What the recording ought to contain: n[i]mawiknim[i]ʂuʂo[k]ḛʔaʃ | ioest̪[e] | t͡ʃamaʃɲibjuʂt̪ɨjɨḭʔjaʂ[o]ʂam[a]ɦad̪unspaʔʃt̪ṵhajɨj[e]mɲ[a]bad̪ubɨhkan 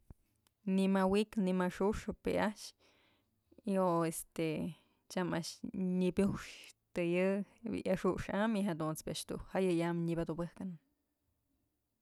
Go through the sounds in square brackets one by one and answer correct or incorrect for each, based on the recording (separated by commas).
correct, incorrect, incorrect, correct, incorrect, incorrect, incorrect, incorrect